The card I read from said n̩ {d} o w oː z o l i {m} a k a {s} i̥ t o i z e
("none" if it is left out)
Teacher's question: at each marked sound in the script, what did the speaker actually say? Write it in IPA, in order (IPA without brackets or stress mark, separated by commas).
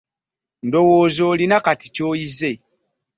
d, n, t